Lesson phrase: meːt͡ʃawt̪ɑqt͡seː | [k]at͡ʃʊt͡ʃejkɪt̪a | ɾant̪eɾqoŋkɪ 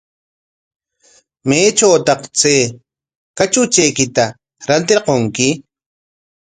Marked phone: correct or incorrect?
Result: correct